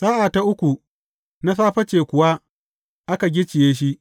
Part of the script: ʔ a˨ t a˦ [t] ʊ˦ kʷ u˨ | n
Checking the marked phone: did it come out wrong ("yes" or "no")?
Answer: yes